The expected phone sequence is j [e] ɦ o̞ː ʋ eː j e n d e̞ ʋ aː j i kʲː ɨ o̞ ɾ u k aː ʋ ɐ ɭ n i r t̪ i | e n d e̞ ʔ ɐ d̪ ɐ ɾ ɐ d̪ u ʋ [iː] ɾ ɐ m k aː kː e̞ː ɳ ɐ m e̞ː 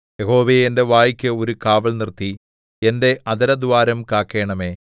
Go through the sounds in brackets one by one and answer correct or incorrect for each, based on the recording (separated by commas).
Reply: correct, incorrect